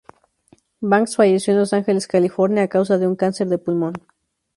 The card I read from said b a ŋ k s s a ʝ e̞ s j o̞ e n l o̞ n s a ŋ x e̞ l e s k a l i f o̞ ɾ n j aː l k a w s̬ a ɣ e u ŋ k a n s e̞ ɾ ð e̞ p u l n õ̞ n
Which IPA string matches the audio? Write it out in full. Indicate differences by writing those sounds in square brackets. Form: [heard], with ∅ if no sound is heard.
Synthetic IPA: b a ŋ k s [f] a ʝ e̞ s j o̞ e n l o̞ [∅] s a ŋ x e̞ l e s k a l i f o̞ ɾ n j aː [∅] k a w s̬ a [ð] e u ŋ k a n s e̞ ɾ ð e̞ p u l [m] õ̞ n